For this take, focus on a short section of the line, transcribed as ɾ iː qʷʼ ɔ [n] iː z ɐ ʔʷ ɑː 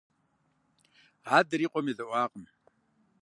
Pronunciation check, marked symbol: incorrect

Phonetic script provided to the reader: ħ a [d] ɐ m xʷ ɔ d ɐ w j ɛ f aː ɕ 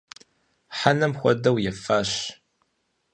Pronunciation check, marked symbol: incorrect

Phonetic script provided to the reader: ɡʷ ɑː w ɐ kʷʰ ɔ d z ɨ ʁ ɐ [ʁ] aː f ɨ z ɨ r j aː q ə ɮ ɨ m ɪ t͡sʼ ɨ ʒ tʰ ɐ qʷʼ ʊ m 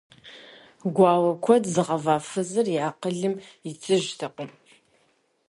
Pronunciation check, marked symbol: incorrect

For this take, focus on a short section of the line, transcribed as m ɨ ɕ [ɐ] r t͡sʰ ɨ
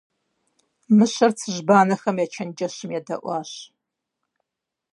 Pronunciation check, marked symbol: correct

